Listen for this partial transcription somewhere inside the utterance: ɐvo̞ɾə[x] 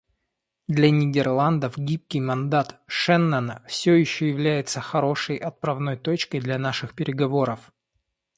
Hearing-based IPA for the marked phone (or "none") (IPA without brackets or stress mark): f